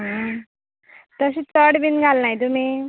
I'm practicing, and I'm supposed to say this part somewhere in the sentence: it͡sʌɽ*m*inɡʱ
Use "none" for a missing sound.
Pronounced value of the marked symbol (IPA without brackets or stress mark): b